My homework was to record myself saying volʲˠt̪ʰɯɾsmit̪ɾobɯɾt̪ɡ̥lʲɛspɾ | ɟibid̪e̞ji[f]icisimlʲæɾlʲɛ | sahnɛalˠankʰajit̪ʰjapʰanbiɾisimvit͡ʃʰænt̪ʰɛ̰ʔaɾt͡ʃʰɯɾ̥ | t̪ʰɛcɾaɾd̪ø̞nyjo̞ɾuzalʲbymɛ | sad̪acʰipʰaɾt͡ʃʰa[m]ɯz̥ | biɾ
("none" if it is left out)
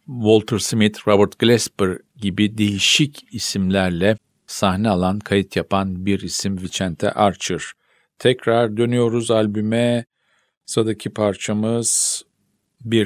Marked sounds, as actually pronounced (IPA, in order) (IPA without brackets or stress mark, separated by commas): ʃ, m